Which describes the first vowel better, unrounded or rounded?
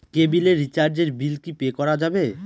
unrounded